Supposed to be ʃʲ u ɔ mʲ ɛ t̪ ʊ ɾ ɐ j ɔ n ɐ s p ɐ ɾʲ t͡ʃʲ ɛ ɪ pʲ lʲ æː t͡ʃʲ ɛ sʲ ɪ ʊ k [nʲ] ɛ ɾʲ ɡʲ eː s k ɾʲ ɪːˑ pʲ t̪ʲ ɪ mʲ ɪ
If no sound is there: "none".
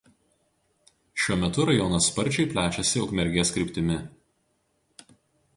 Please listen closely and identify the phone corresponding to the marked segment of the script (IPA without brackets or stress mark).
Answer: mʲ